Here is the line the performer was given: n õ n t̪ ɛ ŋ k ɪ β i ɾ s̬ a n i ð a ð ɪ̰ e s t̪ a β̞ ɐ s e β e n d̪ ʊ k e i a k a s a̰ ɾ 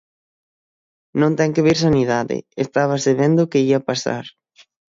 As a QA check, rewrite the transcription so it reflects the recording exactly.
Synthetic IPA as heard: n õ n t̪ ɛ ŋ k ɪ β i ɾ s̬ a n i ð a ð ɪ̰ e s t̪ a β̞ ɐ s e β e n d̪ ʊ k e i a p a s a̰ ɾ